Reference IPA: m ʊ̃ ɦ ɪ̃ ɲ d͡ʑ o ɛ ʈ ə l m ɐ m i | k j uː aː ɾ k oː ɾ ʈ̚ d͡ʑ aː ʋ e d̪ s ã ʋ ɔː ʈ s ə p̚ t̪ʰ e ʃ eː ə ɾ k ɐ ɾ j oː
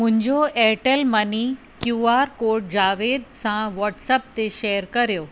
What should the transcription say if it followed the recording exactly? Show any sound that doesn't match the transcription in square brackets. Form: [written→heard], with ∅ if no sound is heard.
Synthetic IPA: m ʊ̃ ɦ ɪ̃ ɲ d͡ʑ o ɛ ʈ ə l m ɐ [m→n] i | k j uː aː ɾ k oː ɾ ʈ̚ d͡ʑ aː ʋ e d̪ s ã ʋ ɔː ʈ s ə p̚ [t̪ʰ→t̪] e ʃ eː ə ɾ k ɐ ɾ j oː